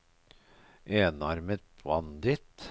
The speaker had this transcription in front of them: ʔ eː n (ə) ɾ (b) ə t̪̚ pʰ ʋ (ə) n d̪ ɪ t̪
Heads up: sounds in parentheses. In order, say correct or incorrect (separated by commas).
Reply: incorrect, incorrect, incorrect